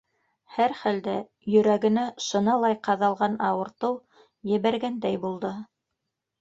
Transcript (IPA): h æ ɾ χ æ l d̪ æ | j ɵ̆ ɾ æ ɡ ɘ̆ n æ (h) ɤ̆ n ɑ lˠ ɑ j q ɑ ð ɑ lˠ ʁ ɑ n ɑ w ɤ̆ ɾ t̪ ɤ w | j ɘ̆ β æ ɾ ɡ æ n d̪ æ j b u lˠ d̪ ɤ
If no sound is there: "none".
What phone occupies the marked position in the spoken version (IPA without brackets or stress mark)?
ʃ